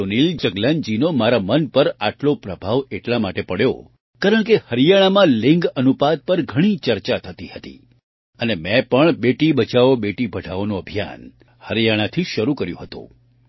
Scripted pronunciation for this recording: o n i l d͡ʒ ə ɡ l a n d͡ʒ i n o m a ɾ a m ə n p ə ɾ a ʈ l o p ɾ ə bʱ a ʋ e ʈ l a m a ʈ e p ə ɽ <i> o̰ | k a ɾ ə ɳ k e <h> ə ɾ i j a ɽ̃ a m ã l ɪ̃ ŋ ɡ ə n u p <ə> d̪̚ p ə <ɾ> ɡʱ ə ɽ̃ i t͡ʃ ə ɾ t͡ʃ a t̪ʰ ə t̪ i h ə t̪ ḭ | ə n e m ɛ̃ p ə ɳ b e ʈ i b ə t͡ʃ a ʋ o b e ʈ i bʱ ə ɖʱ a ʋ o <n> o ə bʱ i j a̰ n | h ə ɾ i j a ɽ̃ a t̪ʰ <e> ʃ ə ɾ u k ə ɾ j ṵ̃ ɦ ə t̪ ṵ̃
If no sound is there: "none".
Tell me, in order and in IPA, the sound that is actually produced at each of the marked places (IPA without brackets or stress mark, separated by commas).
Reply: j, h, a, ɾ, n, i